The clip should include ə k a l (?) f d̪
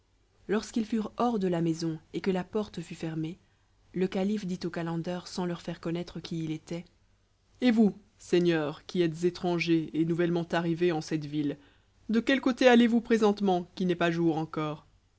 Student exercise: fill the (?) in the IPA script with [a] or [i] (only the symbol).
i